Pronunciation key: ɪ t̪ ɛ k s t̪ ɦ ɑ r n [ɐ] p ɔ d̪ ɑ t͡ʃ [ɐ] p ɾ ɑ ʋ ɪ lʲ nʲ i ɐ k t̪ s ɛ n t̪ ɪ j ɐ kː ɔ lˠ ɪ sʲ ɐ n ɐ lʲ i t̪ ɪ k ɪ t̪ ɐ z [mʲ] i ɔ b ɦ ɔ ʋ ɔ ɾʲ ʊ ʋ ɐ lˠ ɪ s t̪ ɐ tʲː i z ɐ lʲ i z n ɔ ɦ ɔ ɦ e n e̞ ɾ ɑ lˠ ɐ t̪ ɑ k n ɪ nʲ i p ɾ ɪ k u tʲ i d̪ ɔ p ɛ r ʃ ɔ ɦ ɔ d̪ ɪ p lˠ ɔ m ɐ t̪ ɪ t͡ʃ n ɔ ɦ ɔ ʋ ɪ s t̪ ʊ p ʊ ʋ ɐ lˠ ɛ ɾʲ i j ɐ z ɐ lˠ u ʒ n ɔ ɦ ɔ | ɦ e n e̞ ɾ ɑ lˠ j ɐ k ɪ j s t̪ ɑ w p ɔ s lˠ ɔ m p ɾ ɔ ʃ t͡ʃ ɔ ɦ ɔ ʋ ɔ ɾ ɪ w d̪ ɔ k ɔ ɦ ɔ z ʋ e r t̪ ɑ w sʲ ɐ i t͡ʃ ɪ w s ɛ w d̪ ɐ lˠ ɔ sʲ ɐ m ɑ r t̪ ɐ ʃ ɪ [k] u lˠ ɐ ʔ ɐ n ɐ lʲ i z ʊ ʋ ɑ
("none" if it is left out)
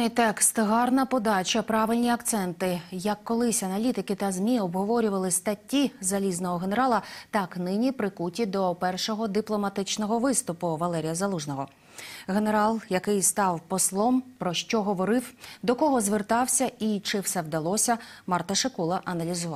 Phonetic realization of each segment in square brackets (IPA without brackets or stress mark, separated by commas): ɐ, ɐ, mʲ, k